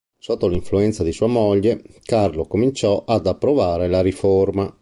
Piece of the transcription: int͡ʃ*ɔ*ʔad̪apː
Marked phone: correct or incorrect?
correct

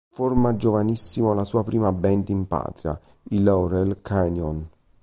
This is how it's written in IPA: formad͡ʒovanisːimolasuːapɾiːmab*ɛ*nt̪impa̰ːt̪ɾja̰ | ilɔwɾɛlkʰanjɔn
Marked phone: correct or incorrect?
correct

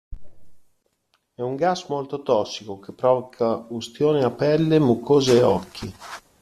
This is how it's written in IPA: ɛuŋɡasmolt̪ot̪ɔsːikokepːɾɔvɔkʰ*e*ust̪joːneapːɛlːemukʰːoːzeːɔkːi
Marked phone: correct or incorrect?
incorrect: a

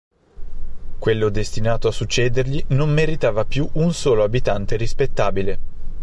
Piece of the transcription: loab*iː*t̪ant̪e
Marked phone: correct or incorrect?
incorrect: i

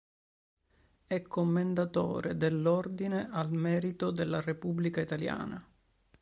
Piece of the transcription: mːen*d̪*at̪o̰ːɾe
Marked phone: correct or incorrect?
correct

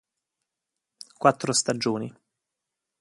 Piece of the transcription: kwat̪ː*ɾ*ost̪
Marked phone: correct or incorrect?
correct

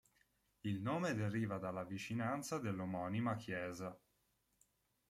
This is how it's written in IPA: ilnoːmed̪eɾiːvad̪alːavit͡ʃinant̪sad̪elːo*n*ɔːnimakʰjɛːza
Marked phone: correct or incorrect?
incorrect: m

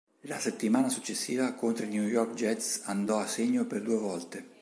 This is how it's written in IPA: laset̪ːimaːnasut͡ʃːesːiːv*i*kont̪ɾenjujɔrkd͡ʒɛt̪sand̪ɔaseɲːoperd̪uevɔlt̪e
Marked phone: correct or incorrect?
incorrect: a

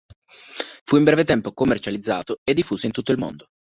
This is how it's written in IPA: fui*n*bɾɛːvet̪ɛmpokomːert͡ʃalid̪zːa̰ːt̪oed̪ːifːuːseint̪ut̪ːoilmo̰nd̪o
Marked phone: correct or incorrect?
incorrect: m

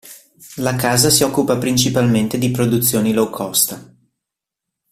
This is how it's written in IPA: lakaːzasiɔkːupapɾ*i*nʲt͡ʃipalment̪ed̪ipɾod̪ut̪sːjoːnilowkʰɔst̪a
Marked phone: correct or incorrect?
correct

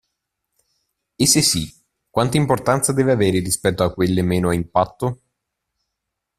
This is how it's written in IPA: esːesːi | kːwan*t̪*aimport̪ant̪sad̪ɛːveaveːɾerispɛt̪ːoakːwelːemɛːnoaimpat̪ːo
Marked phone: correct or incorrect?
correct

